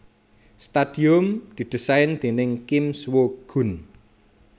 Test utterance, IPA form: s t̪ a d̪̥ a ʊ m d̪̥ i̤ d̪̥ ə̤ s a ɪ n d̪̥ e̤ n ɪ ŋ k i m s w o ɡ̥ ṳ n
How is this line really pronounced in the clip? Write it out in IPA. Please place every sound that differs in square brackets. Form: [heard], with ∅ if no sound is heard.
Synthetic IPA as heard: s t̪ a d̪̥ [i] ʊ m d̪̥ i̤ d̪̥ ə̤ s a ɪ n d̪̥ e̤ n ɪ ŋ k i m s w o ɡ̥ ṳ n